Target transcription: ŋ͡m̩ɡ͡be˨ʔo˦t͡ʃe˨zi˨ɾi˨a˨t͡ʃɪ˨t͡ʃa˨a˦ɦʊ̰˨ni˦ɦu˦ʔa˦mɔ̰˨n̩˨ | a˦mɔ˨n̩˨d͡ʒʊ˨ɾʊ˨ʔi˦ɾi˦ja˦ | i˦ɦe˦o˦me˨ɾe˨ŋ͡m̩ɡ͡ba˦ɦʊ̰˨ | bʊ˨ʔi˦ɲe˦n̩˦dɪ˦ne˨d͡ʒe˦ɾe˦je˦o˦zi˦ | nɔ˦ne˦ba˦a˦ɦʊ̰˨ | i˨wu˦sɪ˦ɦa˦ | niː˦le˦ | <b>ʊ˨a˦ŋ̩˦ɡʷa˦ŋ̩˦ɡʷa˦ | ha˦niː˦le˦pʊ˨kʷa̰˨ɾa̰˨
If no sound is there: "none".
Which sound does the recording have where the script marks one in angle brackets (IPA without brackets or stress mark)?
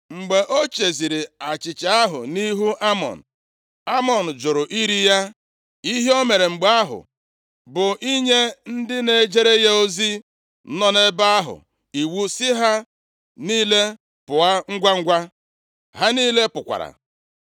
p